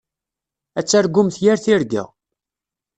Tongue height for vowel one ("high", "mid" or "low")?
low